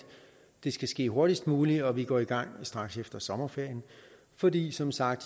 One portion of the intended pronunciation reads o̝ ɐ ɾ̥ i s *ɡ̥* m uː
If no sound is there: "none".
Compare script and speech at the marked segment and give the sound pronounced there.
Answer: d̥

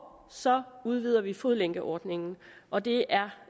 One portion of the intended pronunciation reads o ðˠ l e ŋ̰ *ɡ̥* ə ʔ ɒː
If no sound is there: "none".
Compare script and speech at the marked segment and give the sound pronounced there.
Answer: ɡ̥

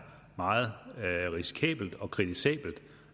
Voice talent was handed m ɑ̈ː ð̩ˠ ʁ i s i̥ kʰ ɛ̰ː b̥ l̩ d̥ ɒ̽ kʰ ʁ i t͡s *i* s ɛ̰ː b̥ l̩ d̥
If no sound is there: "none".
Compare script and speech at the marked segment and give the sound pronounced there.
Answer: i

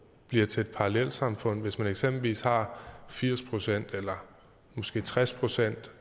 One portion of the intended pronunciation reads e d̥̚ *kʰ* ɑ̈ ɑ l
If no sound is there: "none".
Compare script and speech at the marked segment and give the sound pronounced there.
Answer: pʰ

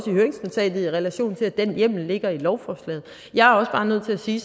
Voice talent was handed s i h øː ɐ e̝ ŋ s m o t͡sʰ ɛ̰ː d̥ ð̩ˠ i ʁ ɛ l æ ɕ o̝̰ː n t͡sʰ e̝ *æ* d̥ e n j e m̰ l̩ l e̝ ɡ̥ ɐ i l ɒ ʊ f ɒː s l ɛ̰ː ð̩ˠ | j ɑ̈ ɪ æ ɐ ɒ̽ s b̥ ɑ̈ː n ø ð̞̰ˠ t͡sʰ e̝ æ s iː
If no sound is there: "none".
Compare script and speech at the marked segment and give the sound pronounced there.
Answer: æ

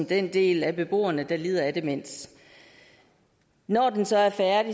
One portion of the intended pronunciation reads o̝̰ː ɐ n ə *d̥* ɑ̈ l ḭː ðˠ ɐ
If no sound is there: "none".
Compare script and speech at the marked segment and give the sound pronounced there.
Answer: d̥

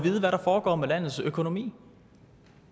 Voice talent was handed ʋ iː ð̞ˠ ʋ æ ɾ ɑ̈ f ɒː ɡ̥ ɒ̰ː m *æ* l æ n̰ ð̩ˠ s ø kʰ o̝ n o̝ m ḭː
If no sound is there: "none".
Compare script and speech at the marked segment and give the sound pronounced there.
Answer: e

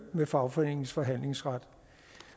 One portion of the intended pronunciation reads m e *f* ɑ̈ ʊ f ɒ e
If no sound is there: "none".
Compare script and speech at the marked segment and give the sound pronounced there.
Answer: f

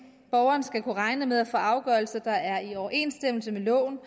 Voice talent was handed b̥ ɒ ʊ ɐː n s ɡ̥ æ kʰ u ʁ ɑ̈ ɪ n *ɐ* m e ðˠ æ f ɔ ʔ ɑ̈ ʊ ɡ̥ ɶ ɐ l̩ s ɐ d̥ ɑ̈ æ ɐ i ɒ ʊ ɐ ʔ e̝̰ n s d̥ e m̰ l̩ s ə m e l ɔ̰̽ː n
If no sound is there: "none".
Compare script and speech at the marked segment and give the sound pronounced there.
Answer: ə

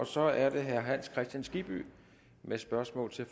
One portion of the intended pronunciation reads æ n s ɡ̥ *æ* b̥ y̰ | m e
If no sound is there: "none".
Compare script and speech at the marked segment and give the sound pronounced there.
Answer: i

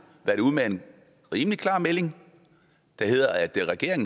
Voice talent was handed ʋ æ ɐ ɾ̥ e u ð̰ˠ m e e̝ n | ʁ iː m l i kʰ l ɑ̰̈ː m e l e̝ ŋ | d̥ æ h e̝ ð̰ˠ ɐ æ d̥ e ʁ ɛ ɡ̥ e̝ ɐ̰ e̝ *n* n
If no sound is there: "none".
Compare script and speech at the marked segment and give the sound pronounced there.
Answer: ŋ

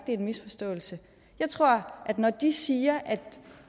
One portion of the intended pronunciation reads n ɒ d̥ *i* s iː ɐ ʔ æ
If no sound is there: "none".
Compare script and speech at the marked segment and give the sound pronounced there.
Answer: i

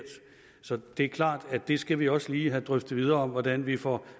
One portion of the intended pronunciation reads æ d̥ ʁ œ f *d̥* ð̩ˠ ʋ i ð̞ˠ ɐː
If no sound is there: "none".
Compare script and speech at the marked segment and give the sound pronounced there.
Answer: d̥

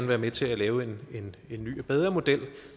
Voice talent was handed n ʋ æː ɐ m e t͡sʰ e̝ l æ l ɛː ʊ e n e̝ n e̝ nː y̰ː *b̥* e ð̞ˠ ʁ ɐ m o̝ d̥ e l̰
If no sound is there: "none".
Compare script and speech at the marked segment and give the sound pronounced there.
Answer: b̥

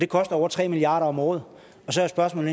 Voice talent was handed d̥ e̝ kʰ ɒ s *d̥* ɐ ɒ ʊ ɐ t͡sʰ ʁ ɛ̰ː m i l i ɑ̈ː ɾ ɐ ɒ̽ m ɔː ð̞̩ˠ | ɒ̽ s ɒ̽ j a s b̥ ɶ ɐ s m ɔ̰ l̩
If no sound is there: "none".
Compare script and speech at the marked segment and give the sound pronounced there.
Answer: d̥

